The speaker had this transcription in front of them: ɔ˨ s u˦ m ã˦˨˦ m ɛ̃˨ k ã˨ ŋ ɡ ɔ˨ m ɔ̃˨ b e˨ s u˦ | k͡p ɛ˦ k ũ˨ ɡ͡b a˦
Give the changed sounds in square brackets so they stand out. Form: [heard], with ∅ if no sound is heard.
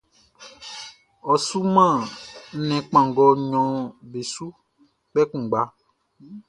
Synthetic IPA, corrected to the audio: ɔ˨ s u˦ m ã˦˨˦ [n] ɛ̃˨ [k͡p] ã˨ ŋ ɡ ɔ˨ [ɲ] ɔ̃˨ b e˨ s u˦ | k͡p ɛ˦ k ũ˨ ɡ͡b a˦